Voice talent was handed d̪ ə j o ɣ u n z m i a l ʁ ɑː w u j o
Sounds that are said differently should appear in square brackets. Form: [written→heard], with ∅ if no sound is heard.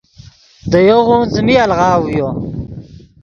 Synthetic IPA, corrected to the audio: d̪ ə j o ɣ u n z m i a l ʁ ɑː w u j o